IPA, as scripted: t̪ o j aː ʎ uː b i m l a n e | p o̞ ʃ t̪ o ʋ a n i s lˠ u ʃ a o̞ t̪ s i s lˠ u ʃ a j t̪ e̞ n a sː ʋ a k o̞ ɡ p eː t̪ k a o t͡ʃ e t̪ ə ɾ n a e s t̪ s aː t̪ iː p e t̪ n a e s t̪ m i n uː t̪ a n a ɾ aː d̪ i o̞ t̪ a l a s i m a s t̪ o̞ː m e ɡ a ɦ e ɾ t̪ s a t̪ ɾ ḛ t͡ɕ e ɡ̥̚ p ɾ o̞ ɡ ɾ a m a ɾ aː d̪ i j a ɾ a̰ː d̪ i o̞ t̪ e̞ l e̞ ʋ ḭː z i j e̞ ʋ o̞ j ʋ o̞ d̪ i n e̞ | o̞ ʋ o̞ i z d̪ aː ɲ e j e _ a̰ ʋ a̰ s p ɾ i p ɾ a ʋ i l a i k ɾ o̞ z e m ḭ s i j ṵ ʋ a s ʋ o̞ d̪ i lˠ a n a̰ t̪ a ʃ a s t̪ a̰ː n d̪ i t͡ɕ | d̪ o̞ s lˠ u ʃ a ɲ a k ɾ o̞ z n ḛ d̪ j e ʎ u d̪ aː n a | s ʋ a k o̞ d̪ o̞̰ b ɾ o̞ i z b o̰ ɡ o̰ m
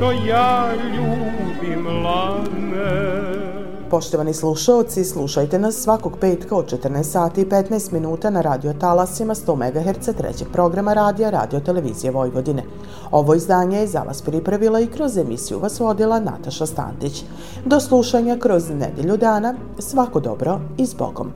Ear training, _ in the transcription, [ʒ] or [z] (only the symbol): z